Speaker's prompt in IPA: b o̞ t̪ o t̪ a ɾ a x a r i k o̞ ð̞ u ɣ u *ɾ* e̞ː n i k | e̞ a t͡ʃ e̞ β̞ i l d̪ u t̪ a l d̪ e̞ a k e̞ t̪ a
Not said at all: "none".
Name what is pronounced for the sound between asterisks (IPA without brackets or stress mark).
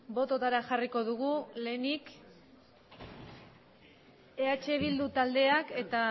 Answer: l